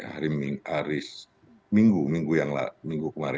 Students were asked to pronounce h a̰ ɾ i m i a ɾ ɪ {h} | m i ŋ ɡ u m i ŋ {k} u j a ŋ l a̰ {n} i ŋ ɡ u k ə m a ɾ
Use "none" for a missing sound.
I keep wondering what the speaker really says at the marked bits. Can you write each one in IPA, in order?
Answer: s, ɡ, m

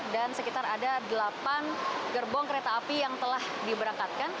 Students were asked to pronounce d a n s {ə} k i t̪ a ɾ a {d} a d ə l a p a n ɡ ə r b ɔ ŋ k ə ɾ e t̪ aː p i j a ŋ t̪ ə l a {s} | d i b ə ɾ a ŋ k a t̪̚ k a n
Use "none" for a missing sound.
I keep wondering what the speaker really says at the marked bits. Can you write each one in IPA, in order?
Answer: ə, d, h

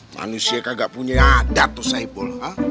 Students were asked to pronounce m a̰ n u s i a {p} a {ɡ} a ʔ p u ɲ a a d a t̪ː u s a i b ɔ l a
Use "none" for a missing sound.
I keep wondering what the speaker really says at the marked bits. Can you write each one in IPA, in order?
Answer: k, ɡ

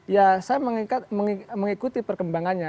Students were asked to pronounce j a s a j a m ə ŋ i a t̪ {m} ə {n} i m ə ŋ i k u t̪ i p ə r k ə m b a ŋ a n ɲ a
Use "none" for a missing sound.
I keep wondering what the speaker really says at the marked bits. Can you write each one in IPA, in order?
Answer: m, ŋ

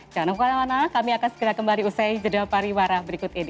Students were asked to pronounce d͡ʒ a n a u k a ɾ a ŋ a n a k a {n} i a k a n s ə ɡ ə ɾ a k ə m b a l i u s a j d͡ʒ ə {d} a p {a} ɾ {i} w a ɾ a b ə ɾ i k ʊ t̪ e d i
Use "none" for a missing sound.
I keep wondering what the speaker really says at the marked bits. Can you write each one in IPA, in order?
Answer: m, d, a, i

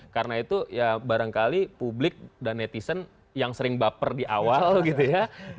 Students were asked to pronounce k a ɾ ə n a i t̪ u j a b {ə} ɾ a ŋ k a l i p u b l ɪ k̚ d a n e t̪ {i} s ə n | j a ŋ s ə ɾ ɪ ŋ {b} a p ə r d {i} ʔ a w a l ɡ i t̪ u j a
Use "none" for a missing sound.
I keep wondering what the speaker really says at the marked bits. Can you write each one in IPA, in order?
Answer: a, i, b, i

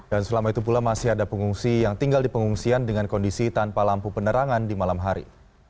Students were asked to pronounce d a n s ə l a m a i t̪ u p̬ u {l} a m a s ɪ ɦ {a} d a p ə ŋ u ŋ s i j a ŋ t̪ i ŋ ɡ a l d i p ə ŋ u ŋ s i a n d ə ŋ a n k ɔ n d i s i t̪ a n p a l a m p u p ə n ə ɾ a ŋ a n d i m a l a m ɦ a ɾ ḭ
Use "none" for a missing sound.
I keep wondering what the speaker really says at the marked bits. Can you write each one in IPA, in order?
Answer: l, a

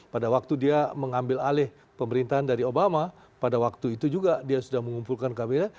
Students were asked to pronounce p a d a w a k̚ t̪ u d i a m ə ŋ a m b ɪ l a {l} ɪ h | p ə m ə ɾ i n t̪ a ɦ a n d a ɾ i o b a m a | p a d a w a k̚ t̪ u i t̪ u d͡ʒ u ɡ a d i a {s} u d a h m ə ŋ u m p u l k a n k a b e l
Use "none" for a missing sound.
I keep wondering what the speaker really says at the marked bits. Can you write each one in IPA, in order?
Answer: l, s

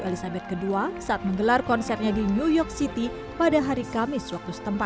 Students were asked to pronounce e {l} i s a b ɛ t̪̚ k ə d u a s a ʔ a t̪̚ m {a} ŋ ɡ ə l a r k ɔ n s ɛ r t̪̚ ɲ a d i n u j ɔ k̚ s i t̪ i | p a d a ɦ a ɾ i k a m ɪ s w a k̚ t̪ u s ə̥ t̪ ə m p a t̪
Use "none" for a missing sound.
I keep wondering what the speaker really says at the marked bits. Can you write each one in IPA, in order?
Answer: l, ə

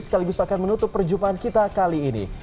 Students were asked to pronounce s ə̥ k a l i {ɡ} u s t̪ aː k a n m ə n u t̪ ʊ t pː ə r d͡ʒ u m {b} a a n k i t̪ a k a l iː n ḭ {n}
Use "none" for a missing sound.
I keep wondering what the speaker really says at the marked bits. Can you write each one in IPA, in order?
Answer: ɡ, p, none

